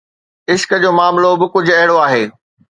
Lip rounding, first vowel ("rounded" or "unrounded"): unrounded